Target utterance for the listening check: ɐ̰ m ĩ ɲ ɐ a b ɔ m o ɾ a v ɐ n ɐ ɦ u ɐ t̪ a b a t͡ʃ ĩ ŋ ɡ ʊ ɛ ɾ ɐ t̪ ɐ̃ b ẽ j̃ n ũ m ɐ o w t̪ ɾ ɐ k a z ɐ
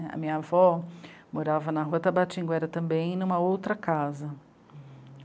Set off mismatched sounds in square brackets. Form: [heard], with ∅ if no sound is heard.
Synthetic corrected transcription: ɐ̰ m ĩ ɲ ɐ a [v] ɔ m o ɾ a v ɐ n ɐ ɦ u ɐ t̪ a b a t͡ʃ ĩ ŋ ɡ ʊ ɛ ɾ ɐ t̪ ɐ̃ b ẽ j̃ n ũ m ɐ o w t̪ ɾ ɐ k a z ɐ